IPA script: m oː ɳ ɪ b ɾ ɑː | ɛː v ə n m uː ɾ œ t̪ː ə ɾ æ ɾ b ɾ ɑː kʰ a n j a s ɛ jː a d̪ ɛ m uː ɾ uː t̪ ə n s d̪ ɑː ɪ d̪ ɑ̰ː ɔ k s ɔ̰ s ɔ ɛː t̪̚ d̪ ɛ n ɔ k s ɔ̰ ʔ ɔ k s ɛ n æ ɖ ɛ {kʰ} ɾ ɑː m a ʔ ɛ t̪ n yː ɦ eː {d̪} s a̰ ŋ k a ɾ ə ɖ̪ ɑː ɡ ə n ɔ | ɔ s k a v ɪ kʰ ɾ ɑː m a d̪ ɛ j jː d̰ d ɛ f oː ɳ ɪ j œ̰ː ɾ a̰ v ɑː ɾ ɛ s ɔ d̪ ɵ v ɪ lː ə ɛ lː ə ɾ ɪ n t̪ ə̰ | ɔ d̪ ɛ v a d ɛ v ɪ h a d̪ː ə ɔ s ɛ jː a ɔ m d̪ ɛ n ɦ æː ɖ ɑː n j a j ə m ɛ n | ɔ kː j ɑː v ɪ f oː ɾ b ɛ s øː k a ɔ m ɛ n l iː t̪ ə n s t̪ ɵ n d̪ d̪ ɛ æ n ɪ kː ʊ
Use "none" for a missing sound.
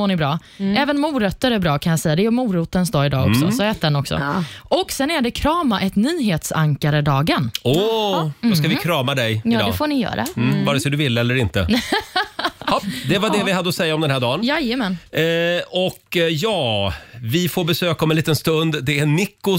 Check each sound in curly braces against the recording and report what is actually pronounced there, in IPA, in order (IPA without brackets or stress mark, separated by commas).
kʰ, t̪